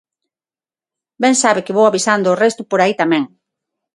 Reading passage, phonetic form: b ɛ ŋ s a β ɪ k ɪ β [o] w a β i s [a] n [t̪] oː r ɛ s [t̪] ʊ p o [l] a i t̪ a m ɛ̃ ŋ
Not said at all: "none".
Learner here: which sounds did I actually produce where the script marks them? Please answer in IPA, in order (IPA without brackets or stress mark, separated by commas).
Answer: o, a, d̪, t̪, ɾ